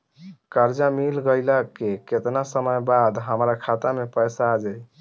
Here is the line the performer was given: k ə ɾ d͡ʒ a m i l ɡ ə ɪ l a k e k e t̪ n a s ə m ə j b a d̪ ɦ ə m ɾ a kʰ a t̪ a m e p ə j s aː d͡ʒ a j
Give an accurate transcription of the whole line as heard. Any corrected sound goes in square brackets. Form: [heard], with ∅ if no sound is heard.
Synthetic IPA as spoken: k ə ɾ d͡ʒ a m i l ɡ ə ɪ l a k e k e t̪ n a s ə m ə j b a d̪ ɦ ə m ɾ a kʰ a t̪ a m e p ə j s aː d͡ʒ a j